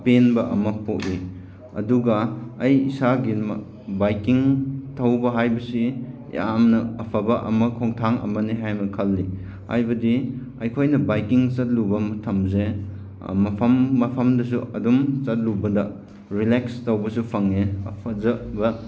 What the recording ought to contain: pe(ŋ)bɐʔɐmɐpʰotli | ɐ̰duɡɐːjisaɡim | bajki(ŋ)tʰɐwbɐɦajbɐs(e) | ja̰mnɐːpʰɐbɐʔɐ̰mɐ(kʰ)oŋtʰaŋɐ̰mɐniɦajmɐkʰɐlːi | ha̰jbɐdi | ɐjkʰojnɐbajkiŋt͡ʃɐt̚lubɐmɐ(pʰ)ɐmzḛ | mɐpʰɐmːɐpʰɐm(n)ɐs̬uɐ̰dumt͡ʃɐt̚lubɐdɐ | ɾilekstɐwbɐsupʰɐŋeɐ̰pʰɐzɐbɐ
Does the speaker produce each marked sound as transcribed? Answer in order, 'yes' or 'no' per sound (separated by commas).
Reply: no, yes, no, yes, no, no